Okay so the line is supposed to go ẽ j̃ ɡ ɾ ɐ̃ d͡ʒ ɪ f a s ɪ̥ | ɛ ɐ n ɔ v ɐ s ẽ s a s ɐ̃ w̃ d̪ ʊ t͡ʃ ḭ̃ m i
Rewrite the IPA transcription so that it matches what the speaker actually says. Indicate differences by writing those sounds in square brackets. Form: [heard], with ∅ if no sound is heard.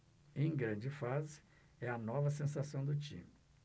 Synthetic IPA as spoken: ẽ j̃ ɡ ɾ ɐ̃ d͡ʒ ɪ f a [z] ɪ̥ | ɛ ɐ n ɔ v ɐ s ẽ s a s ɐ̃ w̃ d̪ ʊ t͡ʃ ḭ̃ m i